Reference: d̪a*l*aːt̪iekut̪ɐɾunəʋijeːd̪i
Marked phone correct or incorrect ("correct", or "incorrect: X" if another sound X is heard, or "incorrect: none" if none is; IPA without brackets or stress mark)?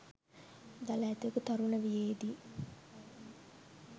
correct